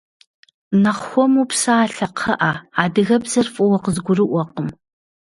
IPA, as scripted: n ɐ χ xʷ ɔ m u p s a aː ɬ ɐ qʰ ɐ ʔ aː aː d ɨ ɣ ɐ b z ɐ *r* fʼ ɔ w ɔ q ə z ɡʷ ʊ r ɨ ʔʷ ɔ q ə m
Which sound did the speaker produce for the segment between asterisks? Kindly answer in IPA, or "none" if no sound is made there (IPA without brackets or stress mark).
r